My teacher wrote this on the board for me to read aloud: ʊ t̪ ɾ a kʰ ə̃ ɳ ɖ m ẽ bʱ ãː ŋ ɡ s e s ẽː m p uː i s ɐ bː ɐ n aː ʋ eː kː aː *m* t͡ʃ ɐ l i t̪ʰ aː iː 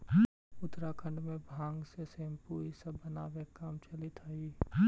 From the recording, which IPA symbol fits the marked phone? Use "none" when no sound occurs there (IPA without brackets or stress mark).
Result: m